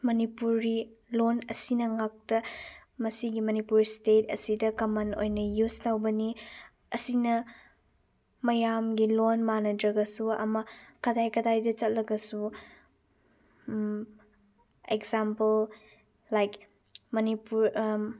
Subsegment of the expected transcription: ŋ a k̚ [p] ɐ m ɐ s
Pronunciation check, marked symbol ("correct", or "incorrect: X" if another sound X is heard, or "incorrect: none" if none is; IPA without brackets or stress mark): incorrect: t